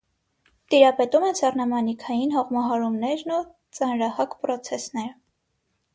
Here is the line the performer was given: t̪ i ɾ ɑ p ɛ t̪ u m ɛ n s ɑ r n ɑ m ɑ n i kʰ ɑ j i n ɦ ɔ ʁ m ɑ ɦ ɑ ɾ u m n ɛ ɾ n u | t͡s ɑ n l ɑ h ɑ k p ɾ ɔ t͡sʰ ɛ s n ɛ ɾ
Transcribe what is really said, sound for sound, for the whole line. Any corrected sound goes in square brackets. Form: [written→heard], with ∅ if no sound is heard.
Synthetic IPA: t̪ i ɾ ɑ p ɛ t̪ u m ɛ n s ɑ r n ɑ m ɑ n i kʰ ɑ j i n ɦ ɔ ʁ m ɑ ɦ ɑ ɾ u m n ɛ ɾ n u | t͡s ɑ n [l→ɾ] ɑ h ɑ k p ɾ ɔ t͡sʰ ɛ s n ɛ ɾ

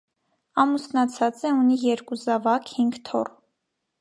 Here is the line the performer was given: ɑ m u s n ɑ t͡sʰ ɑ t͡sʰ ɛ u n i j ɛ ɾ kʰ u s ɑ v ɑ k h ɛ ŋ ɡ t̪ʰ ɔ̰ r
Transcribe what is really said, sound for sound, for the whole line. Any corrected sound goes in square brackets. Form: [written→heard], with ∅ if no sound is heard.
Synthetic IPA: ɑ m u s n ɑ t͡sʰ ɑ [t͡sʰ→t͡s] ɛ u n i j ɛ ɾ [kʰ→k] u [s→z] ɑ v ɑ k h [ɛ→i] ŋ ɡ t̪ʰ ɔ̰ r

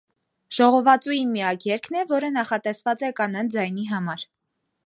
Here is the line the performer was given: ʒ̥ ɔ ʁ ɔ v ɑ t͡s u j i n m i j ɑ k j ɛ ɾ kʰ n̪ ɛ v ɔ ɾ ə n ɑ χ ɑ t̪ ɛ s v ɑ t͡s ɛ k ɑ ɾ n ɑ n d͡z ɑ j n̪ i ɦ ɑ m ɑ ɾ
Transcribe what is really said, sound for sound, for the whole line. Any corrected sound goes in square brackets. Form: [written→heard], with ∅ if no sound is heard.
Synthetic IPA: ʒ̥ ɔ ʁ ɔ v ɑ t͡s u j i n m i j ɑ k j ɛ ɾ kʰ n̪ ɛ v ɔ ɾ ə n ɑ χ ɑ t̪ ɛ s v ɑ t͡s ɛ k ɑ [ɾ→∅] n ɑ n d͡z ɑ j n̪ i ɦ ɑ m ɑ ɾ

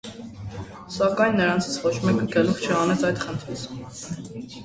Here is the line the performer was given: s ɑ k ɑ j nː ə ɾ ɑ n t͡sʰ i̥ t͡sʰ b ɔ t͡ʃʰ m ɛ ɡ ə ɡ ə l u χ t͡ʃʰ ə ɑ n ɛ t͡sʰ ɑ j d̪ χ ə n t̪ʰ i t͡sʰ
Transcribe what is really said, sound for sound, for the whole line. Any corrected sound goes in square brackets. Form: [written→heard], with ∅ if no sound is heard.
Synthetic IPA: s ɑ k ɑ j nː ə ɾ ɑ n t͡sʰ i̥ t͡sʰ [b→v] ɔ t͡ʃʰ m ɛ [ɡ→k] ə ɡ ə l u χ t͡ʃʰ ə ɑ n ɛ t͡sʰ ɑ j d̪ χ ə n t̪ʰ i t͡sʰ

